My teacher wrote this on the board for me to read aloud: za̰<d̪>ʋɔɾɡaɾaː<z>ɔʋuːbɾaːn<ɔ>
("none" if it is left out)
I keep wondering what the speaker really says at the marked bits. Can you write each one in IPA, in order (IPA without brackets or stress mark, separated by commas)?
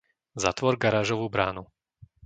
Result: t̪, ʒ, u